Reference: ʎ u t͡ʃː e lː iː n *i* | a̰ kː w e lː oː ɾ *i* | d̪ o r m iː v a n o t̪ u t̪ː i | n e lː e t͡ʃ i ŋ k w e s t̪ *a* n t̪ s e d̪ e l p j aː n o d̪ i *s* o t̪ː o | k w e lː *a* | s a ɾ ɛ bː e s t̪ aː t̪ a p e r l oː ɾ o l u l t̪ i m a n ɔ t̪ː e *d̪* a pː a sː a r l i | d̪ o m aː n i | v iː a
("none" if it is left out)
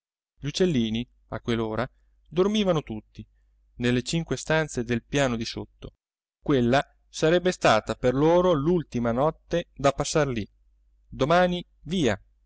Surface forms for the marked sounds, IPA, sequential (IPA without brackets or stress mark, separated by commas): i, a, a, s, a, d̪